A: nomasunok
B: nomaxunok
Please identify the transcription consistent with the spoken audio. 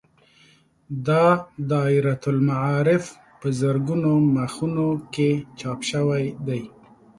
B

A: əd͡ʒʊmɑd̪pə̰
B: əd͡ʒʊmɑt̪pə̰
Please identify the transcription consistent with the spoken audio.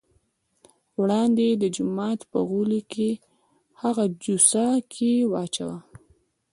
B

